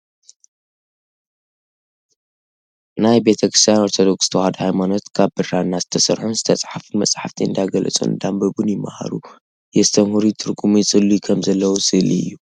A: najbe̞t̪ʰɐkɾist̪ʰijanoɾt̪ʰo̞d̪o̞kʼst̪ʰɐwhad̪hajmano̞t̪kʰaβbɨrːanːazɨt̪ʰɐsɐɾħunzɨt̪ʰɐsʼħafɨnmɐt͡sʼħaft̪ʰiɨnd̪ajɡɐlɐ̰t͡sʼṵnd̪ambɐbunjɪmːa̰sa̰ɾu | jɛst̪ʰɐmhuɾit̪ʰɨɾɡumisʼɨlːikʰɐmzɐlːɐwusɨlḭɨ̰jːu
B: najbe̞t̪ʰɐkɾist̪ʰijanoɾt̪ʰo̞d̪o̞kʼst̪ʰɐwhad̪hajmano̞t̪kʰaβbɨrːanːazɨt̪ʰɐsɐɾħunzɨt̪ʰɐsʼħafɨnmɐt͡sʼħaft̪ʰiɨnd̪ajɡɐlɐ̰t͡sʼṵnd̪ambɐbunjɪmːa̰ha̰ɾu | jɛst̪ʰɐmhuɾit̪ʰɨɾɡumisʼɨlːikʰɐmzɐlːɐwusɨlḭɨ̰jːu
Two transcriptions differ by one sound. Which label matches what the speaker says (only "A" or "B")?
B